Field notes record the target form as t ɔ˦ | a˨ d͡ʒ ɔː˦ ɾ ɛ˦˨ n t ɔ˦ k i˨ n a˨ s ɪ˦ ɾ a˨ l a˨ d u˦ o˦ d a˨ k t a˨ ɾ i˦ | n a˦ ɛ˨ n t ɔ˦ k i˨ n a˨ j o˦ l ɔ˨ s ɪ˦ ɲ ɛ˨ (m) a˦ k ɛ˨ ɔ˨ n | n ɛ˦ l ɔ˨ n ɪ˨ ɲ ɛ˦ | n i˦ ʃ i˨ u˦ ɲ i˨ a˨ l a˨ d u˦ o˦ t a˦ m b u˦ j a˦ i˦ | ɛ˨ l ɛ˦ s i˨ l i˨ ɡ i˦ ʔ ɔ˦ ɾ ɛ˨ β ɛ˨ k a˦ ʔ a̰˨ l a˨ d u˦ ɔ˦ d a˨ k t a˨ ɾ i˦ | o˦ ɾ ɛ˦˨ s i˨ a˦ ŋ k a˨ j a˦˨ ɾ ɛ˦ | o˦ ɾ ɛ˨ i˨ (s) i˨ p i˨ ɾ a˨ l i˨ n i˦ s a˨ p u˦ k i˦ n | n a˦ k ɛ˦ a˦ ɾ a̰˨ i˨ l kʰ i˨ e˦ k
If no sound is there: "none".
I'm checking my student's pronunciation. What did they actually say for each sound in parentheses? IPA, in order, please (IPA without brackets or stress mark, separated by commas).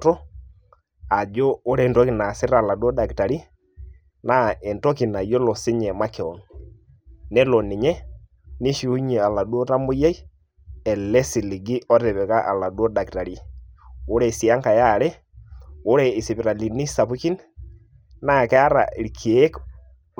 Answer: m, s